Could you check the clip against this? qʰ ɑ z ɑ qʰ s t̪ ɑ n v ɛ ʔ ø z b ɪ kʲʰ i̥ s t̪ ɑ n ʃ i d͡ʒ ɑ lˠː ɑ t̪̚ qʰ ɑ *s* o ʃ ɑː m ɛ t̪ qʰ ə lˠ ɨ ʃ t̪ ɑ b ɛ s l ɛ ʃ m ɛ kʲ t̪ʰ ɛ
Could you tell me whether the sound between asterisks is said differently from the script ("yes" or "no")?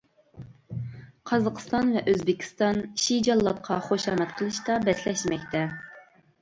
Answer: yes